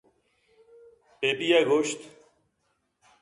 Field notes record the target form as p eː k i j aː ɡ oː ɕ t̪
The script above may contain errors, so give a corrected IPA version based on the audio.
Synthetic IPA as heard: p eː p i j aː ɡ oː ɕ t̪